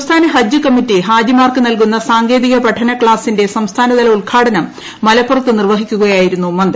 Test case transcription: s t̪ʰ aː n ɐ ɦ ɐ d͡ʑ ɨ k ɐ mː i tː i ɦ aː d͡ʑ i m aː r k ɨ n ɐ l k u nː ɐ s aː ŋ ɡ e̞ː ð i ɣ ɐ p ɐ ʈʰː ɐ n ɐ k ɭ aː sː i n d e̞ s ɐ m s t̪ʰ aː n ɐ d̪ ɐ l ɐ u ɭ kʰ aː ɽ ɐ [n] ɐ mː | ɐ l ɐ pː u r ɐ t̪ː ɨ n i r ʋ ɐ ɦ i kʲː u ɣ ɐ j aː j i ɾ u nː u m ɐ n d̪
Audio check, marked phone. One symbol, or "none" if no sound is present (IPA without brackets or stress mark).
n